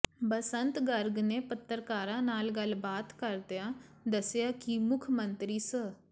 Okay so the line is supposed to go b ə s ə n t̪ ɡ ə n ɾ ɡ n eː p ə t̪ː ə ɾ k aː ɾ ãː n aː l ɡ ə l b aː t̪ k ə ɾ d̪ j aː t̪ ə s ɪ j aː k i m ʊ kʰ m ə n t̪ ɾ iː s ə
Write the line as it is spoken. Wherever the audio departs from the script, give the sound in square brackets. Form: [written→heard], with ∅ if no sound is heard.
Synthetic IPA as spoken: b ə s ə n t̪ ɡ ə [n→∅] ɾ ɡ n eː p ə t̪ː ə ɾ k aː ɾ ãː n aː l ɡ ə l b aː t̪ k ə ɾ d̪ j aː [t̪→d̪] ə s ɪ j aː k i m ʊ kʰ m ə n t̪ ɾ iː s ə